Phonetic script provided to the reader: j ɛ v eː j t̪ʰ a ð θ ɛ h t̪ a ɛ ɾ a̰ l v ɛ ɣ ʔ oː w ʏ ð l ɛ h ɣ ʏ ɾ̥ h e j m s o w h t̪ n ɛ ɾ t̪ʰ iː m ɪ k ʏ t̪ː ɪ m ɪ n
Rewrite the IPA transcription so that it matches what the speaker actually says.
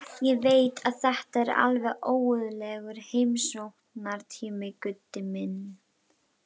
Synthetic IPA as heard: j ɛ v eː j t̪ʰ a ð θ ɛ h t̪ a ɛ ɾ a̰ l v ɛ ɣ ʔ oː w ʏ ð l ɛ ɣ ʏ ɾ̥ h e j m s o w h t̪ n a ɾ t̪ʰ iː m ɪ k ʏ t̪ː ɪ m ɪ n